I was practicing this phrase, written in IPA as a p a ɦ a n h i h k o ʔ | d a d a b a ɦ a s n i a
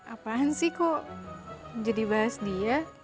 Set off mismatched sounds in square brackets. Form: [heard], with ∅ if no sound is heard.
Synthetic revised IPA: a p a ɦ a n [s] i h k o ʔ | [d͡ʒ] a d [i] b a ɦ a s [d] i a